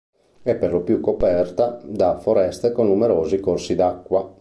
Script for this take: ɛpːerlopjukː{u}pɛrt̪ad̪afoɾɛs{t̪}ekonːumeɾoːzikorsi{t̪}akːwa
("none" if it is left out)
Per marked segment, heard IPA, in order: o, t̪, d̪

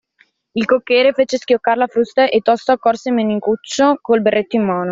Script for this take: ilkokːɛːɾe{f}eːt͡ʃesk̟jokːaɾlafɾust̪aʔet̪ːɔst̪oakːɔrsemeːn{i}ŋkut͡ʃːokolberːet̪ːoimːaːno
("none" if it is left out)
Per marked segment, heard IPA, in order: f, i

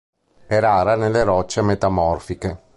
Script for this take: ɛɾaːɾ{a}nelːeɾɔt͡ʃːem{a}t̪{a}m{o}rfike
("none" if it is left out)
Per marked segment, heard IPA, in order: a, e, a, ɔ

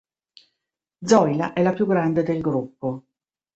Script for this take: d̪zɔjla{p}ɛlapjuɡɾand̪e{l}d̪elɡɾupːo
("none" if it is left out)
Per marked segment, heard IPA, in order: ʔ, none

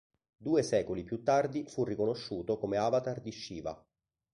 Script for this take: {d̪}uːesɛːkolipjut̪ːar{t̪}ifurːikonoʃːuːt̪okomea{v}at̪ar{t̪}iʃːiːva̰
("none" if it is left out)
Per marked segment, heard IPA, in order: d̪, d̪, v, d̪

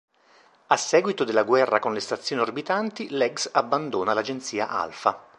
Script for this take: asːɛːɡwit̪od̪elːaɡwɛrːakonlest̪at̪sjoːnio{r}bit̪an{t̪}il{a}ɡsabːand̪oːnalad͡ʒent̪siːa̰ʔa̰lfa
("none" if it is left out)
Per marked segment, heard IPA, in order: r, t̪, ɛ

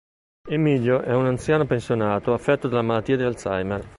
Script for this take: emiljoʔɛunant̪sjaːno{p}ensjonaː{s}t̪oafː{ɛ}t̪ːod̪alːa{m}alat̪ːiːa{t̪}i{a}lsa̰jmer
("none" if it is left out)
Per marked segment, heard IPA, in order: p, none, ɛ, m, d̪, a

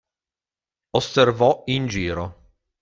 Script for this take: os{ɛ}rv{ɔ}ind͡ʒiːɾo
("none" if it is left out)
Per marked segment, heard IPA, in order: e, ɔ

